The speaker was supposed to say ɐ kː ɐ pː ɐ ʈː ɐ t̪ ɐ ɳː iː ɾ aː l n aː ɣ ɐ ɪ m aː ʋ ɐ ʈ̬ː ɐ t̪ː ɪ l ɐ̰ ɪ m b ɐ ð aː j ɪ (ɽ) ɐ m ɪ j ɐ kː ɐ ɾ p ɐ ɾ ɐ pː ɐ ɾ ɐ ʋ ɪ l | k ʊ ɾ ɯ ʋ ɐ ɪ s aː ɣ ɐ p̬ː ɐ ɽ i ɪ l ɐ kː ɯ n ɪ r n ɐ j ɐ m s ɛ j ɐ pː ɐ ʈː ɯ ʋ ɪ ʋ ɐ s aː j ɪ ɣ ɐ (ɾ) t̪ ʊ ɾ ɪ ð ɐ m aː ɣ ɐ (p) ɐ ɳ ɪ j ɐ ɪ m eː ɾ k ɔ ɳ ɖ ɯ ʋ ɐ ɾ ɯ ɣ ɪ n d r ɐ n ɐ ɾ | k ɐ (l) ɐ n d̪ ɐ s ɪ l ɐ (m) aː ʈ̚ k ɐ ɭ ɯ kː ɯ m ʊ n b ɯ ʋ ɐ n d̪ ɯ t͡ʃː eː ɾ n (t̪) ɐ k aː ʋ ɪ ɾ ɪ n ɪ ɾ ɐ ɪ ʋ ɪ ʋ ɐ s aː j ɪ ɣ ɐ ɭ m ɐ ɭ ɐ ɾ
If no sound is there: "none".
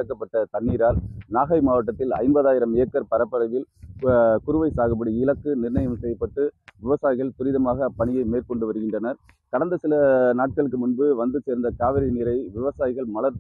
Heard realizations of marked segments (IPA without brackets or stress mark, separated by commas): ɾ, ɭ, p, ɽ, n, d̪